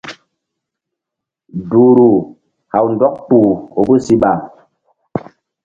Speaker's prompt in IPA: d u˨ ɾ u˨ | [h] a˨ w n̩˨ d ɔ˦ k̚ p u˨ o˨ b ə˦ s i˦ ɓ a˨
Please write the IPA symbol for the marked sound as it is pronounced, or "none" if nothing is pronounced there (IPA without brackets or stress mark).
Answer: h